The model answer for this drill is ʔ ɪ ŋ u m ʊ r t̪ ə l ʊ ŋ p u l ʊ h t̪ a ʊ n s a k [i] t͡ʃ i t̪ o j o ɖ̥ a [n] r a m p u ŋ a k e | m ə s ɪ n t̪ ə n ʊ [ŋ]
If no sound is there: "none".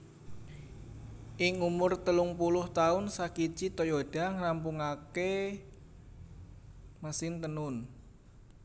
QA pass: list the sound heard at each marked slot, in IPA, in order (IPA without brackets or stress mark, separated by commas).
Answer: i, ŋ, n